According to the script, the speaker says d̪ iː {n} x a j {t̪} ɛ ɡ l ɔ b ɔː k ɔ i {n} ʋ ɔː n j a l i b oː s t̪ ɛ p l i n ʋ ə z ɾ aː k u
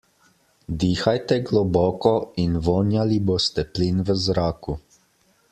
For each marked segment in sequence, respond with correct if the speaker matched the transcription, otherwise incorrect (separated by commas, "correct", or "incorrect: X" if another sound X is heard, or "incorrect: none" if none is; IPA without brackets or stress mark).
incorrect: none, correct, correct